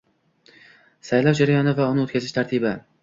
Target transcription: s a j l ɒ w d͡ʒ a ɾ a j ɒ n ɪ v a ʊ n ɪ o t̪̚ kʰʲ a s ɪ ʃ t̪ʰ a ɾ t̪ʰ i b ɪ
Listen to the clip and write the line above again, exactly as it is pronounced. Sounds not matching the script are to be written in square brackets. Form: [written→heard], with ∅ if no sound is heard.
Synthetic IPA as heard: s a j l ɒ w d͡ʒ a ɾ a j ɒ n ɪ v a ʊ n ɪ o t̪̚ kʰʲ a [s→z] ɪ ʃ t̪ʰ a ɾ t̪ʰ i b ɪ